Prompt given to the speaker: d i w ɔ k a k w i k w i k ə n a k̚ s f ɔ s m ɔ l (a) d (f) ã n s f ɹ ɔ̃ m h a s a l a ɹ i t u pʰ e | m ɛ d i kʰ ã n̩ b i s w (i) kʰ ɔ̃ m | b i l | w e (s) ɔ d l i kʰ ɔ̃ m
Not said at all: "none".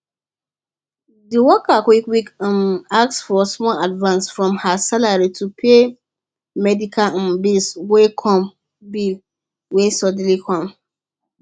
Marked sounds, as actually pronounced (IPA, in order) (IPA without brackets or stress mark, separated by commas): a, v, e, s